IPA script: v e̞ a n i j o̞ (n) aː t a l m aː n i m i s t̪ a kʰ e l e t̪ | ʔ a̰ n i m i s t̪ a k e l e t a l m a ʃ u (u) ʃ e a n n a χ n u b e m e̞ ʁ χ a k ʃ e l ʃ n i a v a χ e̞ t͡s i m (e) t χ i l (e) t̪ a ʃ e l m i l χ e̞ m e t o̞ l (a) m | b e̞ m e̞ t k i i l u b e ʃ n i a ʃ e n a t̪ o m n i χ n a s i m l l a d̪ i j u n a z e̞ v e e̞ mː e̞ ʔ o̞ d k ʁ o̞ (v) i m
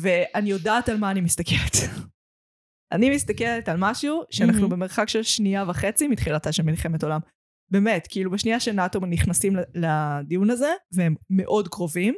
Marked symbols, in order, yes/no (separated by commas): no, yes, no, no, yes, yes